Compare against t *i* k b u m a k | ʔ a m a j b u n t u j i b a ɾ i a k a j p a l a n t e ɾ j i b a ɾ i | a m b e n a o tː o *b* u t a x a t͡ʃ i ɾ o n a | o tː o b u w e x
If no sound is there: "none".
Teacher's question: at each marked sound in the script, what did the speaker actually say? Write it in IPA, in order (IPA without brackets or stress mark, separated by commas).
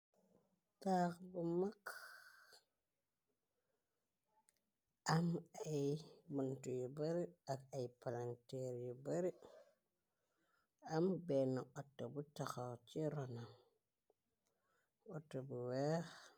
a, b